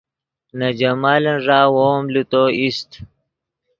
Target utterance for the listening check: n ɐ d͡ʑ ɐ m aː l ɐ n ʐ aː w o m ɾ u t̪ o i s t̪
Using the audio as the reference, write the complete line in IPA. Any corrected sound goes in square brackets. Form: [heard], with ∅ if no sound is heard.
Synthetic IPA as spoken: n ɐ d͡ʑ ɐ m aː l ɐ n ʐ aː w o m [l] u t̪ o i s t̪